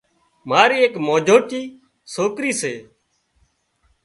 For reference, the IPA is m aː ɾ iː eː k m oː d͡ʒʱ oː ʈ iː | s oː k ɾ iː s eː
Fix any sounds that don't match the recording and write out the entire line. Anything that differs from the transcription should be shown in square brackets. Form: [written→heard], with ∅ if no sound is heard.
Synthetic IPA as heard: m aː ɾ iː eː k m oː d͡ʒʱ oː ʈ iː | s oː k ɾ iː s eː